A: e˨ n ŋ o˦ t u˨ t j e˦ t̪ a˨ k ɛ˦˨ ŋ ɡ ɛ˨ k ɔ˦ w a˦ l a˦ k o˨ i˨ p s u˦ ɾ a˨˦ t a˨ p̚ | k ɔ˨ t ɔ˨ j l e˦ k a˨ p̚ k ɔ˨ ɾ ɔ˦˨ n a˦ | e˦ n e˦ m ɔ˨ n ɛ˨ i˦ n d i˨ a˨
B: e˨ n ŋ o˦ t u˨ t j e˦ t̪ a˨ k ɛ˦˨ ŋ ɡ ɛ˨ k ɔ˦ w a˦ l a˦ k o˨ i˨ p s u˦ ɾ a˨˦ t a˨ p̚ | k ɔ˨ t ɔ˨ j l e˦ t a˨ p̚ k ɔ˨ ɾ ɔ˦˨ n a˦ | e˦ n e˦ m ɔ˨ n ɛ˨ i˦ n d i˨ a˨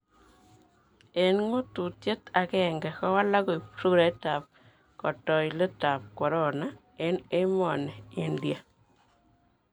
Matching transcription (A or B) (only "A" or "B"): B